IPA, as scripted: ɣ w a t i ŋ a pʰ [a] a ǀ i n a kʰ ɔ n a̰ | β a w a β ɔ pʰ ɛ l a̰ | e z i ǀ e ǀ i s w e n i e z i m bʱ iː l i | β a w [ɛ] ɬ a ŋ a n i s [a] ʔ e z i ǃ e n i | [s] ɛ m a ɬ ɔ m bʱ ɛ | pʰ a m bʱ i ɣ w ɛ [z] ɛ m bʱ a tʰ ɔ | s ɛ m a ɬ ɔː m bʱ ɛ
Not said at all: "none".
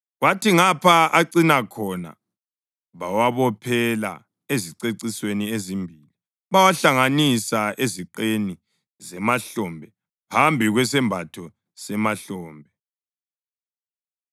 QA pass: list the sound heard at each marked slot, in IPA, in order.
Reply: a, a, a, z, s

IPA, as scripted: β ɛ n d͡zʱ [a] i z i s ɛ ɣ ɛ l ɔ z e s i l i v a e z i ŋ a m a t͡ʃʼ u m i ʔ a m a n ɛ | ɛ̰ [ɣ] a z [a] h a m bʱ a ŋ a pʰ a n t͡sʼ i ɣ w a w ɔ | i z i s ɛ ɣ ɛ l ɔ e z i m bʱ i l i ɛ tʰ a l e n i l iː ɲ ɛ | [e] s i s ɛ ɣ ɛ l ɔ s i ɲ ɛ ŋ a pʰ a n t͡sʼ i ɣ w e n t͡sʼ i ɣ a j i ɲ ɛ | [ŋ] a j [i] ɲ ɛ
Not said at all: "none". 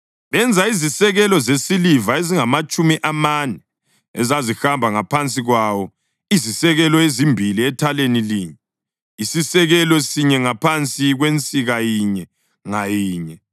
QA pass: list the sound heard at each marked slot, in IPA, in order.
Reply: a, z, i, i, ŋ, iː

